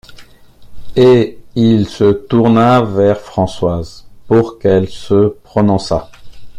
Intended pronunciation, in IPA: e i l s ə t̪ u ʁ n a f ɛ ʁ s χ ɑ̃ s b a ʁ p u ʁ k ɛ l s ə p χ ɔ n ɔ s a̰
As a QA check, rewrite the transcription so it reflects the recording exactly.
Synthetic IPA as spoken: e i l s ə t̪ u ʁ n a v ɛ ʁ f χ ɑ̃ s w a z p u ʁ k ɛ l s ə p χ ɔ n ɔ̃ s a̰